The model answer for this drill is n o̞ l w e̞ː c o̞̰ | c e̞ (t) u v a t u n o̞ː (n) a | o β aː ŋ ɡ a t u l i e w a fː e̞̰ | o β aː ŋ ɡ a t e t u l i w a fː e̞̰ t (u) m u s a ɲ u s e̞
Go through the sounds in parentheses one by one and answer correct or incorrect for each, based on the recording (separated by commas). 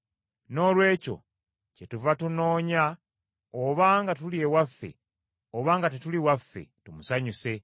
correct, incorrect, correct